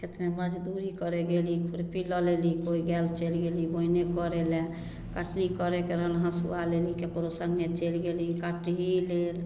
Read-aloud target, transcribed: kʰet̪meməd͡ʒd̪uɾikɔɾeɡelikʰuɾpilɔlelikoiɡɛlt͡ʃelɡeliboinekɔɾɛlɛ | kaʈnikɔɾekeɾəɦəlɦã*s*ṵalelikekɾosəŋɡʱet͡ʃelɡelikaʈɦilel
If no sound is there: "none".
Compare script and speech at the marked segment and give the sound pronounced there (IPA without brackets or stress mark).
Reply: s